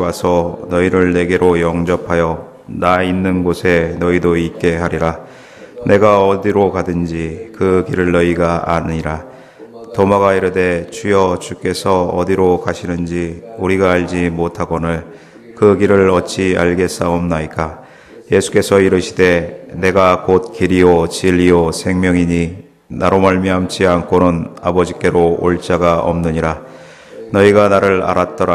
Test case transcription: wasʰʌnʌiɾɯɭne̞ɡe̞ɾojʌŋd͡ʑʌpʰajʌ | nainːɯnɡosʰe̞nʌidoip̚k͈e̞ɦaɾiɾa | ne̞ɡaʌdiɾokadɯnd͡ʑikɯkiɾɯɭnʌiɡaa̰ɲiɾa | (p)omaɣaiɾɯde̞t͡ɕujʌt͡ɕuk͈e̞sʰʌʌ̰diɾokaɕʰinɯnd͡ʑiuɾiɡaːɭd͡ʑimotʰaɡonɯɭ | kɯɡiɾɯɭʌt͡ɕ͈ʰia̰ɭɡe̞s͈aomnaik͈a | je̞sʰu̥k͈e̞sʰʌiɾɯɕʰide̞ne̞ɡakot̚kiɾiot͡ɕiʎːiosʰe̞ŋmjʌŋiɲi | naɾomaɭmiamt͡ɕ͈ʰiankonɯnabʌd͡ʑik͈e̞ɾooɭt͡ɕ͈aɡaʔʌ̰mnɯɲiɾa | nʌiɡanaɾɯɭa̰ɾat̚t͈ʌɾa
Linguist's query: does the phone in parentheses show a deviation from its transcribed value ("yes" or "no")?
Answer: yes